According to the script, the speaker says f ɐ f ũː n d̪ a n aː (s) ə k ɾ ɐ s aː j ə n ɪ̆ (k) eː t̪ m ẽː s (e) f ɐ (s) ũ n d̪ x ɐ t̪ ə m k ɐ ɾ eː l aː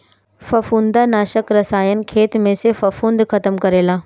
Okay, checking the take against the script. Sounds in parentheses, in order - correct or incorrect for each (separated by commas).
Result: incorrect, incorrect, correct, incorrect